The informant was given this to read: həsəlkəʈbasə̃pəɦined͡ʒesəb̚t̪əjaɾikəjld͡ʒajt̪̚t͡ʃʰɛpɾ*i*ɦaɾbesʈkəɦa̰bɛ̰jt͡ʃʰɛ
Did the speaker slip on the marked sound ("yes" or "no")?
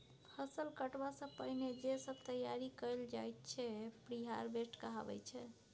no